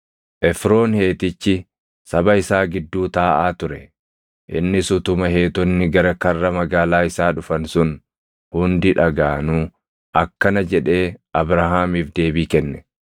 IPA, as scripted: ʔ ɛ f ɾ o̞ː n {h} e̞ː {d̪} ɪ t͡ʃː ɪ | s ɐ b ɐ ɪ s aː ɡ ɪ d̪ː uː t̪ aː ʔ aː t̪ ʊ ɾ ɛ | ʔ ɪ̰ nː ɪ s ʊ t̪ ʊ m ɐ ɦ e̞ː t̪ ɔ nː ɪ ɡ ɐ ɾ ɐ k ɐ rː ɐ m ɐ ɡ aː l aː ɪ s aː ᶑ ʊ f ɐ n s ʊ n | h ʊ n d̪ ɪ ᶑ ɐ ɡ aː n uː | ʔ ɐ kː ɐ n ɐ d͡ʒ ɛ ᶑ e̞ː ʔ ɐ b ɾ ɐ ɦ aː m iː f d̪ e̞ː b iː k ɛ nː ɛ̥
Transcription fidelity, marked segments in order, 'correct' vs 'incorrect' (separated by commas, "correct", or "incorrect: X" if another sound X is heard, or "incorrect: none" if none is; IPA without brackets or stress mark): correct, incorrect: t̪